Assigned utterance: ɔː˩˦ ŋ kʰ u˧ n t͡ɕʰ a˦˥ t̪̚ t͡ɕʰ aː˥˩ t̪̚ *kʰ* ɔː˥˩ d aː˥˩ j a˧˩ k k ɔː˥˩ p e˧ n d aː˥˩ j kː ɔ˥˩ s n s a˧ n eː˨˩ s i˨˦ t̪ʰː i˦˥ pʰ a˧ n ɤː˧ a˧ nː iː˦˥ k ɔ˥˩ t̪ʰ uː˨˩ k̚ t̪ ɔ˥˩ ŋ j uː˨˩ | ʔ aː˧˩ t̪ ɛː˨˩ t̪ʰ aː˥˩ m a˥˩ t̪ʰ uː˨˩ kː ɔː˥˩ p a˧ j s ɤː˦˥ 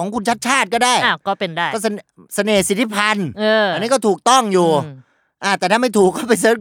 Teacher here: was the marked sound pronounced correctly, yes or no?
no